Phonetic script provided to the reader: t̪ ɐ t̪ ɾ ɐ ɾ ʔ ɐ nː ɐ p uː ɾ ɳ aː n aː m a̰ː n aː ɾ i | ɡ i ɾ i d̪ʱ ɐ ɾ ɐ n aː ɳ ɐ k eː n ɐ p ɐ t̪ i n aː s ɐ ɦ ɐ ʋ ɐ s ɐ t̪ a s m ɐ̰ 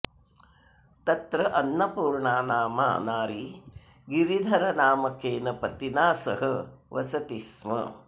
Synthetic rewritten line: t̪ ɐ t̪ ɾ ɐ ʔ ɐ nː ɐ p uː ɾ ɳ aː n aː m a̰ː n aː ɾ i | ɡ i ɾ i d̪ʱ ɐ ɾ ɐ n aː m ɐ k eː n ɐ p ɐ t̪ i n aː s ɐ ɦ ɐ ʋ ɐ s ɐ t̪ i s m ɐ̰